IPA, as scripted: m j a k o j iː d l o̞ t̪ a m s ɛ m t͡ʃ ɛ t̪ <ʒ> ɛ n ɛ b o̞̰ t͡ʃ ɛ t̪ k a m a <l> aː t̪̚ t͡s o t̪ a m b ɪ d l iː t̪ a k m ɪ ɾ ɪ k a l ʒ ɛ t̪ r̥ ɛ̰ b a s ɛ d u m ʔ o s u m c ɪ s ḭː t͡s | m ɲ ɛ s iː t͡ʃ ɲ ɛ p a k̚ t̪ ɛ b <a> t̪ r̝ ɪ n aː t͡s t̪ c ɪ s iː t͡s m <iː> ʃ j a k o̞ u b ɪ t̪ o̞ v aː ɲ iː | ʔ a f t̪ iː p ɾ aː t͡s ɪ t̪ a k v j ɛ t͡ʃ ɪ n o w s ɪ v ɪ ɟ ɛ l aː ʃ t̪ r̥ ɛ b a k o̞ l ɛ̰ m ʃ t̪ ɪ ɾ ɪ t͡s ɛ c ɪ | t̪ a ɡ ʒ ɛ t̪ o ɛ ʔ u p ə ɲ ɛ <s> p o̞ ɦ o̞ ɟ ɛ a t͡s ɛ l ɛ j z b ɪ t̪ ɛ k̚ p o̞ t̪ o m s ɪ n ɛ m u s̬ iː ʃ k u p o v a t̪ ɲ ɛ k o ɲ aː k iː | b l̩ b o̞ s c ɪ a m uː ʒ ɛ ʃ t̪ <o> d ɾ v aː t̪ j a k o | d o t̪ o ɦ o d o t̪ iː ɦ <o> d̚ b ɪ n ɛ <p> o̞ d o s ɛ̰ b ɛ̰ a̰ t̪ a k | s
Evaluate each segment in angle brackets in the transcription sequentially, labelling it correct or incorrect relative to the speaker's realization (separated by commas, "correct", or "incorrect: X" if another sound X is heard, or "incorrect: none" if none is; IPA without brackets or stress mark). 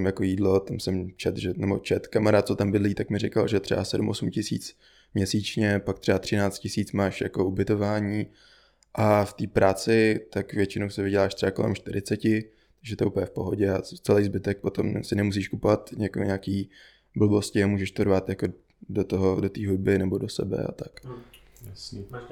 correct, incorrect: ɾ, correct, incorrect: aː, incorrect: f, correct, incorrect: u, incorrect: b